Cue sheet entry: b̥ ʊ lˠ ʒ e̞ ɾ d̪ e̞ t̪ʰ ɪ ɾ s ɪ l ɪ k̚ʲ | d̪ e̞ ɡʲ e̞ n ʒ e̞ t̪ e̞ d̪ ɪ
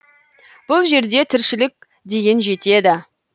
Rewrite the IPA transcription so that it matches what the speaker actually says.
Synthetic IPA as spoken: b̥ ʊ lˠ ʒ e̞ ɾ d̪ e̞ t̪ʰ ɪ ɾ ʃ ɪ l ɪ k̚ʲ | d̪ e̞ ɡʲ e̞ n ʒ e̞ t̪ e̞ d̪ ɪ